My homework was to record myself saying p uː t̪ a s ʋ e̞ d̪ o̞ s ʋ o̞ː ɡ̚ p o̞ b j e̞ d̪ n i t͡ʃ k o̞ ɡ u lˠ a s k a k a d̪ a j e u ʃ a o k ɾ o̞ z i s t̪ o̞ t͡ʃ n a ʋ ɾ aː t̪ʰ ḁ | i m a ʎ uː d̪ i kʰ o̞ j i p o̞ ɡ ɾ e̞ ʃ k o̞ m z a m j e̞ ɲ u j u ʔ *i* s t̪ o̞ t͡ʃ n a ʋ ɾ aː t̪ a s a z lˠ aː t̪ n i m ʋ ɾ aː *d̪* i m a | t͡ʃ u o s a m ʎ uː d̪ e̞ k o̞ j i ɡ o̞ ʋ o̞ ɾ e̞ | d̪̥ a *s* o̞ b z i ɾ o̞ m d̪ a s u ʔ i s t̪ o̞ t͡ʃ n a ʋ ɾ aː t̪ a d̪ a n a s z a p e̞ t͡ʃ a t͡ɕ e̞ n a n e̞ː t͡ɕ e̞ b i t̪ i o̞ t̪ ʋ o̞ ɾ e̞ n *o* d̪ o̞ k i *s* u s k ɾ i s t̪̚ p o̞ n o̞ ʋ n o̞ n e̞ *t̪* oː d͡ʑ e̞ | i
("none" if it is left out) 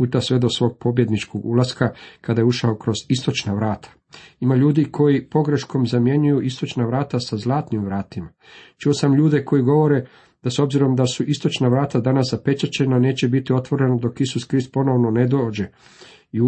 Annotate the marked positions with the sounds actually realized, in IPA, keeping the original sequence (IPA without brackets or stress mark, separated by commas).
i, t̪, s, o, s, d̪